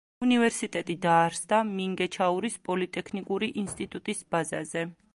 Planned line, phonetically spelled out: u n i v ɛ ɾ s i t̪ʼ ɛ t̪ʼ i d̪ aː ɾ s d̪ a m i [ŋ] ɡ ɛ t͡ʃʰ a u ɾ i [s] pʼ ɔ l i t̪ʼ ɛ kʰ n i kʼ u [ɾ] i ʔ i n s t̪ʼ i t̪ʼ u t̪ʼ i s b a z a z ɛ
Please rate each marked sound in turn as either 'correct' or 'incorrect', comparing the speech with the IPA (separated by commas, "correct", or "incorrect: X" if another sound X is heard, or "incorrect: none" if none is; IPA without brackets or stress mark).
correct, correct, correct